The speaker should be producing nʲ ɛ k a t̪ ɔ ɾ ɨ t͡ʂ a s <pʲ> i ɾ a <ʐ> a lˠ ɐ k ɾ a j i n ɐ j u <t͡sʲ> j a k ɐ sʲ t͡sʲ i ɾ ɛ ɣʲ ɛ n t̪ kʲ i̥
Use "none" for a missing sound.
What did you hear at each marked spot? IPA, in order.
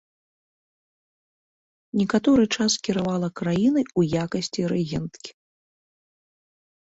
kʲ, v, none

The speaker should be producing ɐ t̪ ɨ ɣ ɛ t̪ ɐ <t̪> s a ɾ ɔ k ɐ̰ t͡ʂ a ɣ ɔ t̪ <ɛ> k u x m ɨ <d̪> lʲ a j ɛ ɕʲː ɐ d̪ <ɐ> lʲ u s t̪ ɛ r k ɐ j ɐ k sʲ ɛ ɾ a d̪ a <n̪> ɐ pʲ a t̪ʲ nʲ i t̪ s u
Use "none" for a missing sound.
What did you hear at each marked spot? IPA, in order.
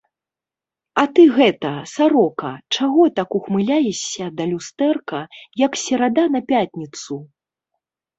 none, a, none, ɐ, n̪

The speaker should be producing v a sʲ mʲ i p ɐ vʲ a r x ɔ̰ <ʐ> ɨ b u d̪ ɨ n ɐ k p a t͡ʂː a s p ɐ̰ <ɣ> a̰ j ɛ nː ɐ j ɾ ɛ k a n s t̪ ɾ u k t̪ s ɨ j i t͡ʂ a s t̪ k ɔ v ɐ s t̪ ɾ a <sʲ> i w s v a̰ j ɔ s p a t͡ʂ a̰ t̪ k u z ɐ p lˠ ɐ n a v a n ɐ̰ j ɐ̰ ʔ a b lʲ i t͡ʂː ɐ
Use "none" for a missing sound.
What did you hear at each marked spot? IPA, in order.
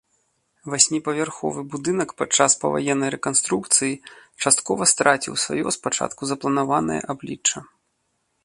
v, v, t͡sʲ

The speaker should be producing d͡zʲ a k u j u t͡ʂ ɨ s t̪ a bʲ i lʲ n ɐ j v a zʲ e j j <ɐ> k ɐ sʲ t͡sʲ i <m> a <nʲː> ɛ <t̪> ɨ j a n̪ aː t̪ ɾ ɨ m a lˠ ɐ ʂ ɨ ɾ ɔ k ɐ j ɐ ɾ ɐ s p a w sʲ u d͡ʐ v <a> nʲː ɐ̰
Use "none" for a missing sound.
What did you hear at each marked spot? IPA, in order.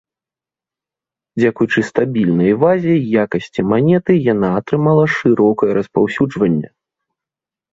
a, m, nʲ, t̪, ɐ

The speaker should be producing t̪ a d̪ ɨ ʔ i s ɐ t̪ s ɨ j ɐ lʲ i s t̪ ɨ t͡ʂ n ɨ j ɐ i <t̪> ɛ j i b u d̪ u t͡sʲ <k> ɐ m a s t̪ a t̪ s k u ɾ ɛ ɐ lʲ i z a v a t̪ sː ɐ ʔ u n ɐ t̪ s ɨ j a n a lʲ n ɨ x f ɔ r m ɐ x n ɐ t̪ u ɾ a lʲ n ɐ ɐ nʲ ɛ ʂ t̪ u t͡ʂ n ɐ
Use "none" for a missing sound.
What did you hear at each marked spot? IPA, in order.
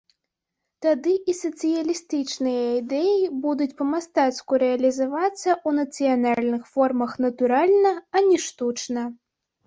d̪, p

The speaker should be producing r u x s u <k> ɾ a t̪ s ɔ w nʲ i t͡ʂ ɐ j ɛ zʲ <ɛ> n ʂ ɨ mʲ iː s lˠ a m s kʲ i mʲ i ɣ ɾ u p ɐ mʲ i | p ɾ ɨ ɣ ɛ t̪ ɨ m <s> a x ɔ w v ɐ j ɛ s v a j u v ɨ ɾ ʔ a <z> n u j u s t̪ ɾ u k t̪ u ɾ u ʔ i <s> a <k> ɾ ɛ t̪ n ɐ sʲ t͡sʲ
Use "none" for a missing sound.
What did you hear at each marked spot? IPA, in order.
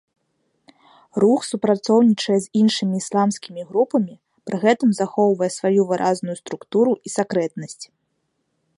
p, i, z, z, s, k

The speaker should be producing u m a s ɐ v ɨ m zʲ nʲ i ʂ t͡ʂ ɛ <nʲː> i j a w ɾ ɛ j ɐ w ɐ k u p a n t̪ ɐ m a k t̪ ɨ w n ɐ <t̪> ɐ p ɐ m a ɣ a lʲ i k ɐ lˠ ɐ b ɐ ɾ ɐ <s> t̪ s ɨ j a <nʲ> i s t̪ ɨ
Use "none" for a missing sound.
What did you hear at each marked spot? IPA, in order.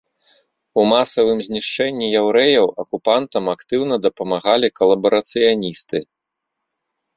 nʲː, d̪, none, nʲ

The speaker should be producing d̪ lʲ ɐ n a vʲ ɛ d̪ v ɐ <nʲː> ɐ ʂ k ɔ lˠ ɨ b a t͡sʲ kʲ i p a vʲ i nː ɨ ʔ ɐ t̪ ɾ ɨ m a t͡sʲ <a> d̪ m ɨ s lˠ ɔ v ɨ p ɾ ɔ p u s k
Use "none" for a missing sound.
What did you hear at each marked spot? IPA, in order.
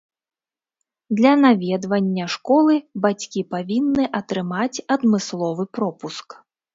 nʲː, ɐ

